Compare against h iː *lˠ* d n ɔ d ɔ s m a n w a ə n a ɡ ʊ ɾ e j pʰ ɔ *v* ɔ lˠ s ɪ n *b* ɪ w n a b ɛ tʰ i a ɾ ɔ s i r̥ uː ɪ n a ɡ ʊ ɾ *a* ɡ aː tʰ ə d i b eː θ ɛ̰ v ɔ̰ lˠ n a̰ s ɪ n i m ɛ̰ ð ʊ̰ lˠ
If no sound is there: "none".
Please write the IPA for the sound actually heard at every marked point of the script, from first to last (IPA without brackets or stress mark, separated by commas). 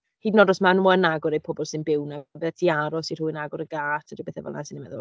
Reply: none, b, b, ə